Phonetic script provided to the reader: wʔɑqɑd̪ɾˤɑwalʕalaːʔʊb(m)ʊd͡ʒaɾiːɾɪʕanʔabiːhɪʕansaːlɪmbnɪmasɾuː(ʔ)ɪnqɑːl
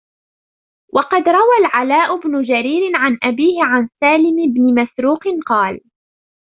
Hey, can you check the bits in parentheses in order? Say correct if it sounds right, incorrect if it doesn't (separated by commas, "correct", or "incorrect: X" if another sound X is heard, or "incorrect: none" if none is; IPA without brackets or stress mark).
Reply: incorrect: n, incorrect: q